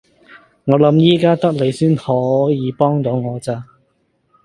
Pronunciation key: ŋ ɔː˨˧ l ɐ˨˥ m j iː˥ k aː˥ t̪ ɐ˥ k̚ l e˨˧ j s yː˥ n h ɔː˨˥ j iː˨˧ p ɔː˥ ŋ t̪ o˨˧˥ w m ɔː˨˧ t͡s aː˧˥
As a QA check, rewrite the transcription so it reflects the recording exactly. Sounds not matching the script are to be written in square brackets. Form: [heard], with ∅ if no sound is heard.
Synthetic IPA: ŋ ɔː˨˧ l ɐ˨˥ m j iː˥ k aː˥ t̪ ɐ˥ k̚ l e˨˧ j s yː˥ n h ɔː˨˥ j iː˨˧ p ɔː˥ ŋ t̪ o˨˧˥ w [ŋ] ɔː˨˧ t͡s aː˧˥